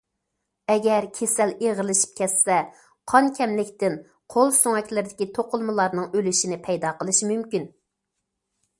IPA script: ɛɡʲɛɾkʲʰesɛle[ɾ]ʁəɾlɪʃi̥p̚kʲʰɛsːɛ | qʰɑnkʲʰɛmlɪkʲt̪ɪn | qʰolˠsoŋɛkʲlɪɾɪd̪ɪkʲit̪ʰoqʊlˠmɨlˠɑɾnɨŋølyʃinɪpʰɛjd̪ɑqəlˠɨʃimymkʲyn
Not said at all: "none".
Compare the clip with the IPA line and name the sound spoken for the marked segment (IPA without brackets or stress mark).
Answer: none